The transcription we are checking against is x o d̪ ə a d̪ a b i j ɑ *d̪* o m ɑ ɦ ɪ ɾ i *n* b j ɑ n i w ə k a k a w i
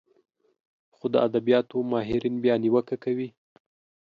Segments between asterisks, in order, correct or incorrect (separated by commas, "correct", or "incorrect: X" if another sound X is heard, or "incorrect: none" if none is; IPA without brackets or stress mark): incorrect: t̪, correct